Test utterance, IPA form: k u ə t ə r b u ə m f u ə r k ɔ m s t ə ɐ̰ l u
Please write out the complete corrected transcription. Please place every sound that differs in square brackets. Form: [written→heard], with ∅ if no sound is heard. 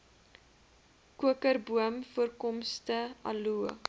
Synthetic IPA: k u ə [t→k] ə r b u ə m f u ə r k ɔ m s t ə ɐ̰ l u